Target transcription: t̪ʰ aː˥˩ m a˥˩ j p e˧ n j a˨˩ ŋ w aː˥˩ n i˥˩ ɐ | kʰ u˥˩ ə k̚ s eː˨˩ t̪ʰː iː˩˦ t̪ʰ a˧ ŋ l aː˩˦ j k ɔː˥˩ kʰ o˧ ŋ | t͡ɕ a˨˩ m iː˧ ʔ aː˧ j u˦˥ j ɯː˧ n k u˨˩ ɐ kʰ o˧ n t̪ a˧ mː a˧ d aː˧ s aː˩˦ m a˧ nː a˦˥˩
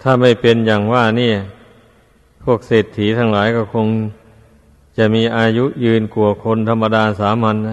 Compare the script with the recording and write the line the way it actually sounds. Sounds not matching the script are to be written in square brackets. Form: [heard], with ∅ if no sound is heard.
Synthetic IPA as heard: t̪ʰ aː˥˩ m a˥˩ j p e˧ n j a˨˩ ŋ w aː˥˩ n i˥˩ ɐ | [pʰ] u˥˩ ə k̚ s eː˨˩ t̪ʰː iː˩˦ t̪ʰ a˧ ŋ l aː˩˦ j k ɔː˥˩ kʰ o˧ ŋ | t͡ɕ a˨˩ m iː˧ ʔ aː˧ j u˦˥ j ɯː˧ n k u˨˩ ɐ kʰ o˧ n [t̪ʰ] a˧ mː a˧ d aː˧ s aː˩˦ m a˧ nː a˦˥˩